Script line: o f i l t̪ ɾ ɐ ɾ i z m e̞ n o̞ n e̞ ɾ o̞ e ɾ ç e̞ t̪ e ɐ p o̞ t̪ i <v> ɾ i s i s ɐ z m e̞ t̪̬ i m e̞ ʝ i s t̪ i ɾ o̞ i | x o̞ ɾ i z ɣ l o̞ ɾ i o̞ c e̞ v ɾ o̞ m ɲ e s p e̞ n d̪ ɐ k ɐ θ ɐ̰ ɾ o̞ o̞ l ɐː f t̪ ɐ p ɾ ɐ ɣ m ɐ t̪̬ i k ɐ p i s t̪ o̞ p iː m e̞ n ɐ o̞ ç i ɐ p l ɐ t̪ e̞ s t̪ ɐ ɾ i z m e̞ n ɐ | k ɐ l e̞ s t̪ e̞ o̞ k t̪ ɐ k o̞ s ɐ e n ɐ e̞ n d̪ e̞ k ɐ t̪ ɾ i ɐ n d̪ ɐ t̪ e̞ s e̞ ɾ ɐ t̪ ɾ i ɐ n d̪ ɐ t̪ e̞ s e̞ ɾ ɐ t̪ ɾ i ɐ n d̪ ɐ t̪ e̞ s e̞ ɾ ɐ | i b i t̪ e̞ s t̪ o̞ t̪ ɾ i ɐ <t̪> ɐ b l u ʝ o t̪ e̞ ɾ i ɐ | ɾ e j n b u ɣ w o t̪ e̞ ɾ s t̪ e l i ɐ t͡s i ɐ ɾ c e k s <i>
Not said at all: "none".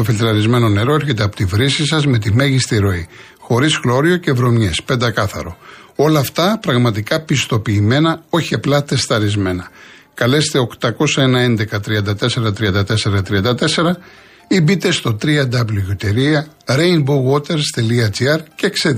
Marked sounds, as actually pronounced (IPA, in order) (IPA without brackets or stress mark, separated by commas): v, d̪, e